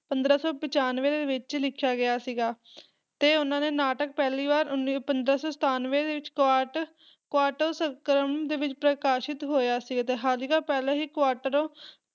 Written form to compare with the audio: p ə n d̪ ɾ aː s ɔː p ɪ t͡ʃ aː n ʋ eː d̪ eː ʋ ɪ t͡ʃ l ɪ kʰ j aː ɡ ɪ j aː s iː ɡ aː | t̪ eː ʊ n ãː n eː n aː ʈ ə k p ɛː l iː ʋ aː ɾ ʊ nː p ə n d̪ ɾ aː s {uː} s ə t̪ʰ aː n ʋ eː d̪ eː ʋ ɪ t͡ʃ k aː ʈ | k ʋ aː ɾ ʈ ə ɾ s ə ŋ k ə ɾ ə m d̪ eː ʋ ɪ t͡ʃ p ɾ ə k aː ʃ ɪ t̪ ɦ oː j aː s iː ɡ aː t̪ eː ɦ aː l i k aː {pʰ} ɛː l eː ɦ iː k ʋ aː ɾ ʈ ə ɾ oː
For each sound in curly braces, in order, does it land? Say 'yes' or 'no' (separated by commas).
no, no